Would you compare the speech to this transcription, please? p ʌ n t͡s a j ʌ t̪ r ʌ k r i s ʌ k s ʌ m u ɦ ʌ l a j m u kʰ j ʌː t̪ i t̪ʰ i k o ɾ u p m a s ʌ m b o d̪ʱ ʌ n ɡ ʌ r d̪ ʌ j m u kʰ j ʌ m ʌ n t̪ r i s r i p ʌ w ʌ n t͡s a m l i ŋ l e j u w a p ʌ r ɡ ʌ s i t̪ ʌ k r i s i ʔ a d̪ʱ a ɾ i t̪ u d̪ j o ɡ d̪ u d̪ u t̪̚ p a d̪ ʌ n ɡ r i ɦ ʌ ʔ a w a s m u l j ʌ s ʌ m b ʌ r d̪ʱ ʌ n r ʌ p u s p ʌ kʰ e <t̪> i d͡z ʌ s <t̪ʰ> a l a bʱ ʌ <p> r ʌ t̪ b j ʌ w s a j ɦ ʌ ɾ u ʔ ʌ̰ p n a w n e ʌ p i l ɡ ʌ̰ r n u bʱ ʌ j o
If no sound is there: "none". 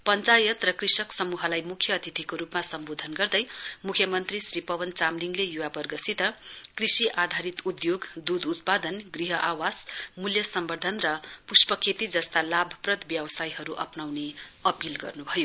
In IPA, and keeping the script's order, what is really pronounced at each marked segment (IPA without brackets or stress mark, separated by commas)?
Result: t̪, t̪, p